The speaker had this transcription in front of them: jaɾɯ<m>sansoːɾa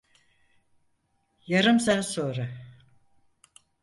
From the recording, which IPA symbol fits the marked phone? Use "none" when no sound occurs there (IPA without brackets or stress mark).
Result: m